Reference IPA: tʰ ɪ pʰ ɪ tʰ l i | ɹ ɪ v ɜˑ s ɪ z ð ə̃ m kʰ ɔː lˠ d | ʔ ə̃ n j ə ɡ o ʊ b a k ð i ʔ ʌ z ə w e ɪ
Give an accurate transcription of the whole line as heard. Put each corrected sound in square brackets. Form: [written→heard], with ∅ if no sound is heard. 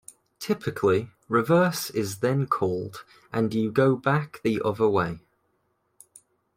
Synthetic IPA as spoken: tʰ ɪ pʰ ɪ [tʰ→kʰ] l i | ɹ ɪ v ɜˑ s ɪ z ð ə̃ [m→n] kʰ ɔː lˠ d | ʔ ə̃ n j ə ɡ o ʊ b a k ð i ʔ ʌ [z→ð] ə w e ɪ

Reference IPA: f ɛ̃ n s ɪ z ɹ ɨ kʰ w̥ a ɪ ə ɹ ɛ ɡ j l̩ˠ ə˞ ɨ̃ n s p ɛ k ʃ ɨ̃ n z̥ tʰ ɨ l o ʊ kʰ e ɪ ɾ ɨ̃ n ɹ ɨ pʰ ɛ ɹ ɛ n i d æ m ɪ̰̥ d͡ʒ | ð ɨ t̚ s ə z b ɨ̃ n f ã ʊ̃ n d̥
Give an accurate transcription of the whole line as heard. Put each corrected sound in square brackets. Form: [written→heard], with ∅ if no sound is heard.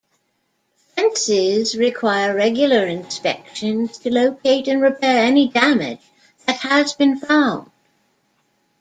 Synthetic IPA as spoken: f ɛ̃ n s ɪ z ɹ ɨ kʰ w̥ a ɪ ə ɹ ɛ ɡ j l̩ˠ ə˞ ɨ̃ n s p ɛ k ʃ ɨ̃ n z̥ tʰ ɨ l o ʊ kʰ e ɪ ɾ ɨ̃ n ɹ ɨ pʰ ɛ ɹ ɛ n i d æ m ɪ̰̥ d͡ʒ | ð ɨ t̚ [s→h] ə z b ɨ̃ n f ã ʊ̃ n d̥

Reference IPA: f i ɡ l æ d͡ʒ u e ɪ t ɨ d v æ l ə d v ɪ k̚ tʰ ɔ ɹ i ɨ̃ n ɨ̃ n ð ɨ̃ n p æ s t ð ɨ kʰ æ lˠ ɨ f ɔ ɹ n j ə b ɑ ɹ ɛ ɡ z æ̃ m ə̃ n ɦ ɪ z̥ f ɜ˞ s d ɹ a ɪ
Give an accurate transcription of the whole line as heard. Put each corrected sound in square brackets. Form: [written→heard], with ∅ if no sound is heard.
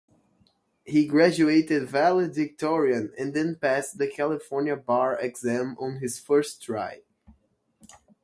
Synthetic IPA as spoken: [f→h] i ɡ [l→ɹ] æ d͡ʒ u e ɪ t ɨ d v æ l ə d v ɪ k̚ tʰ ɔ ɹ i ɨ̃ n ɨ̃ n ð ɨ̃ n p æ s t ð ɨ kʰ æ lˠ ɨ f ɔ ɹ n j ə b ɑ ɹ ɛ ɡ z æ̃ m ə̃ n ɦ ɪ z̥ f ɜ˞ s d ɹ a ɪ

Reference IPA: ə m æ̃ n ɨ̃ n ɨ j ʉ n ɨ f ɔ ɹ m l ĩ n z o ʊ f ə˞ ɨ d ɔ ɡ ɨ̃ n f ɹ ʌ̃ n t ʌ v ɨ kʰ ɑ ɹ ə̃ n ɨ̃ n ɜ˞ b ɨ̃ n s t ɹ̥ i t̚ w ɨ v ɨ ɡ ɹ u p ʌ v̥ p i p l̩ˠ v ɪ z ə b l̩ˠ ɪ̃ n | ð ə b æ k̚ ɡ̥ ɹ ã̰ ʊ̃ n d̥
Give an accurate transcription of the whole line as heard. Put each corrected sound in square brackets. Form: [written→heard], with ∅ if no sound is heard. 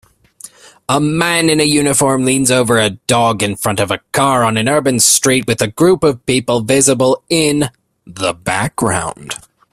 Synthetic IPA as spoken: ə m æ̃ n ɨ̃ n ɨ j ʉ n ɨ f ɔ ɹ m l ĩ n z o ʊ [f→v] ə˞ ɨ d ɔ ɡ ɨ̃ n f ɹ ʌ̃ n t ʌ v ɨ kʰ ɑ ɹ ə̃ n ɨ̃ n ɜ˞ b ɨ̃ n s t ɹ̥ i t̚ w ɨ [v→ð] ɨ ɡ ɹ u p ʌ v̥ p i p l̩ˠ v ɪ z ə b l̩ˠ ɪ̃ n | ð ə b æ k̚ ɡ̥ ɹ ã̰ ʊ̃ n d̥

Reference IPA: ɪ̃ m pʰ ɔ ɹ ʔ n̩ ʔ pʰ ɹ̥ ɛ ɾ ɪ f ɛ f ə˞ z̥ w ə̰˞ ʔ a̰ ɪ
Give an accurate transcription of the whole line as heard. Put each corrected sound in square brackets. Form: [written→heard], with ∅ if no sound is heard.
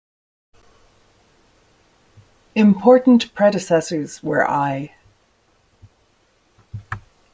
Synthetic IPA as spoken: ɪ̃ m pʰ ɔ ɹ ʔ n̩ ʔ pʰ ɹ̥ ɛ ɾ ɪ [f→s] ɛ [f→s] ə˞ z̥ w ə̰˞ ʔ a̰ ɪ

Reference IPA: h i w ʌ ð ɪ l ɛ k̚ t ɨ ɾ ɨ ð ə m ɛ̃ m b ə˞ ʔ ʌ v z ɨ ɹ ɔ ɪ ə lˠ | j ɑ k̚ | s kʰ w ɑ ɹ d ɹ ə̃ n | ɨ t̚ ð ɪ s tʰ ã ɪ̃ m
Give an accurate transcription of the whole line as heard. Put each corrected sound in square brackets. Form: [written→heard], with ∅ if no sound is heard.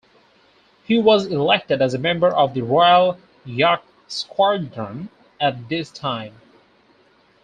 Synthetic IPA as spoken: h i w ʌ [ð→z] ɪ l ɛ k̚ t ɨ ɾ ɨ [ð→z] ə m ɛ̃ m b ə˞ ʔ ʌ v [z→ð] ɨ ɹ ɔ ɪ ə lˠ | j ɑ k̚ | s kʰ w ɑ ɹ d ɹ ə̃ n | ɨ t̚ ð ɪ s tʰ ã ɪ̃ m

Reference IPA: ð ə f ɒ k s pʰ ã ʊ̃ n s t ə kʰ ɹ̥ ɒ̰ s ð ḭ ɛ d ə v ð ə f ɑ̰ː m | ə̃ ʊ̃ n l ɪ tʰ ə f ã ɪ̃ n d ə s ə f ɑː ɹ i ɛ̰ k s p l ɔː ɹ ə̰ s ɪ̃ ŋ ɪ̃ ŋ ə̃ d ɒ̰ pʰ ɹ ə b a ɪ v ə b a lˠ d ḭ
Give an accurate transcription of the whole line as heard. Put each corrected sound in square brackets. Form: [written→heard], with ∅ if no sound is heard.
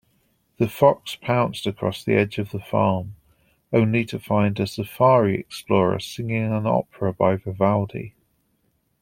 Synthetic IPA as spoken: ð ə f ɒ k s pʰ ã ʊ̃ n s t ə kʰ ɹ̥ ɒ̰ s ð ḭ ɛ [d→d͡ʒ] ə v ð ə f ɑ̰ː m | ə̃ ʊ̃ n l [ɪ→i] tʰ ə f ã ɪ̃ n d ə s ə f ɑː ɹ i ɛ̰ k s p l ɔː ɹ ə̰ s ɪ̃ ŋ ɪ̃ ŋ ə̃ [d→n] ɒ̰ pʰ ɹ ə b a ɪ v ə [b→v] a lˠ d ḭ

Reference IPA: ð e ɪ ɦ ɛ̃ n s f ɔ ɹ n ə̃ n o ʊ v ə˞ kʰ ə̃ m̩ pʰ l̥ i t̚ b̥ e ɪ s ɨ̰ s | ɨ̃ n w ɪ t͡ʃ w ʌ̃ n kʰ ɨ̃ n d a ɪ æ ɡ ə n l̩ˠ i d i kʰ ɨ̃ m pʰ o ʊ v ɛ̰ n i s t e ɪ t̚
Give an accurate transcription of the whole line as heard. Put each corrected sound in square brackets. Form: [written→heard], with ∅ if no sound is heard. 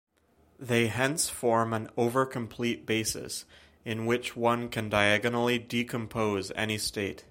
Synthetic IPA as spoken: ð e ɪ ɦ ɛ̃ n s f ɔ ɹ [n→m] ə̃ n o ʊ v ə˞ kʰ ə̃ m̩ pʰ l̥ i t̚ b̥ e ɪ s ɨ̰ s | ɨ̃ n w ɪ t͡ʃ w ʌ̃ n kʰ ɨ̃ n d a ɪ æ ɡ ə n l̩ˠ i d i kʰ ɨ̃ m pʰ o ʊ [v→z] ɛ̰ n i s t e ɪ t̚

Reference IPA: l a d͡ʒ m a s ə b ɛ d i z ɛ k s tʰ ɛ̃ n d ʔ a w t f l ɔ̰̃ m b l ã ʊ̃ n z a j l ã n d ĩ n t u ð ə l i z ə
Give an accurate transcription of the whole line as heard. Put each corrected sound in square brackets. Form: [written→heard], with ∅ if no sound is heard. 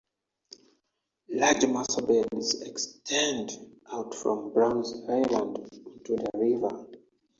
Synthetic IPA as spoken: l a d͡ʒ m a s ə b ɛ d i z ɛ k s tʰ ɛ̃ n d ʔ a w t f [l→ɹ] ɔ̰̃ m b [l→ɹ] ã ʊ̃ n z a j l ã n d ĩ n t u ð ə [l→ɹ] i [z→v] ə

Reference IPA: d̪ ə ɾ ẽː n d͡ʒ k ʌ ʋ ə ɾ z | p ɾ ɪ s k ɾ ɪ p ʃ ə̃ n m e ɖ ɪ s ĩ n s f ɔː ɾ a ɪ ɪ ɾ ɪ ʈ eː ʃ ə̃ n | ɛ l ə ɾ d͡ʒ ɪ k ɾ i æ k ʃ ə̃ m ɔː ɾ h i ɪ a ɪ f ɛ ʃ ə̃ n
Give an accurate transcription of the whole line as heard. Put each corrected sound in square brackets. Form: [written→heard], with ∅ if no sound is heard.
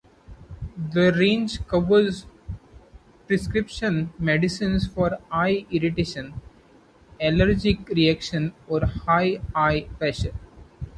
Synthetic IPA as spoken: d̪ ə ɾ ẽː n d͡ʒ k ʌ ʋ ə ɾ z | p ɾ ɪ s k ɾ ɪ p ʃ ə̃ n m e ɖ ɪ s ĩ n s f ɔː ɾ a ɪ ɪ ɾ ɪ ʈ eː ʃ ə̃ n | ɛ l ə ɾ d͡ʒ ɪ k ɾ i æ k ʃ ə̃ [m→n] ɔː ɾ h [i→a] ɪ a ɪ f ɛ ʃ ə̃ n

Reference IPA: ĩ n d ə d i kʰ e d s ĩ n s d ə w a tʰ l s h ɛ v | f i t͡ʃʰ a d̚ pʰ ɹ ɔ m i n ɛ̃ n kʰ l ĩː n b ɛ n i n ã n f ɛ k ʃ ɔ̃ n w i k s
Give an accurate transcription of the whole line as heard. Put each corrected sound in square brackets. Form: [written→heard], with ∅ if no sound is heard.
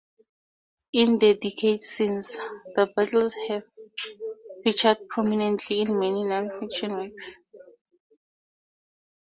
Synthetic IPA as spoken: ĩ n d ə d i kʰ e d s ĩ n s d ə [w→b] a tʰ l s h ɛ v | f i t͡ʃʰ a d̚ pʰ ɹ ɔ m i n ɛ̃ n [kʰ→tʰ] l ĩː n [b→m] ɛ n i n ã n f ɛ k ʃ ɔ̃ n w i k s

